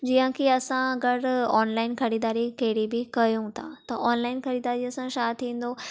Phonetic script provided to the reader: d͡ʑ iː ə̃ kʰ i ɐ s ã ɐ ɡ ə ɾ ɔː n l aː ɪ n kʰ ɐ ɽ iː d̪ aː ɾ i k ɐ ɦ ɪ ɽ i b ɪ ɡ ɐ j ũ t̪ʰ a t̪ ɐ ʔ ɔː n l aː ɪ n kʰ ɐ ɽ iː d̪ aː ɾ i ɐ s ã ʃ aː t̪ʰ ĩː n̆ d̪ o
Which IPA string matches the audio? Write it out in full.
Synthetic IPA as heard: d͡ʑ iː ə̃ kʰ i ɐ s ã ɐ ɡ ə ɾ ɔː n l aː ɪ n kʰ ɐ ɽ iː d̪ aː ɾ i k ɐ ɦ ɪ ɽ i b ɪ k ɐ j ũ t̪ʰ a t̪ ɐ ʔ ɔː n l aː ɪ n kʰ ɐ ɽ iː d̪ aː ɾ i ɐ s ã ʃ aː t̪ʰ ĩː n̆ d̪ o